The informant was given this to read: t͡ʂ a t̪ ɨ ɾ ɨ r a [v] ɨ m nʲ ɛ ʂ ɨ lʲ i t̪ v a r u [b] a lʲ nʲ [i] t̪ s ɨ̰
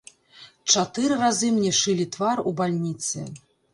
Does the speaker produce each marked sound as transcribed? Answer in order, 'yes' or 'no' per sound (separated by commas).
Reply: no, yes, yes